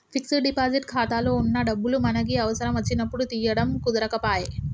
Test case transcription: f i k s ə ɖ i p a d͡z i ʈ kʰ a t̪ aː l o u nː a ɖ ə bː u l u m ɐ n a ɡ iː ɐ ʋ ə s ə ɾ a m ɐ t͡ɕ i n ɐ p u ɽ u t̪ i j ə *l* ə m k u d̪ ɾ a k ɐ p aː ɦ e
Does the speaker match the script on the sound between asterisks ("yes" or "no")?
no